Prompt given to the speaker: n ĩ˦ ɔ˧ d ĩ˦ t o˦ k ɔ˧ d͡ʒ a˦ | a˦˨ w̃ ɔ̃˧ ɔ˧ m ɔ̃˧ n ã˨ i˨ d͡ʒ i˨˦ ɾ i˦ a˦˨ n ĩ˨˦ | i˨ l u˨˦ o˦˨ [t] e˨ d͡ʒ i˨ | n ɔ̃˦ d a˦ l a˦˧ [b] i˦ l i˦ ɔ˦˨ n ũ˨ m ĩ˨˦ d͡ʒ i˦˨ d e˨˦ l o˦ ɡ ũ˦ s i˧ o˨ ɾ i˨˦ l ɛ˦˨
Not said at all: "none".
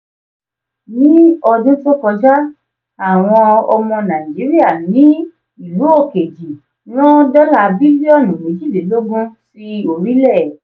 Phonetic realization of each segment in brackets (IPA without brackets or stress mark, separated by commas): k, b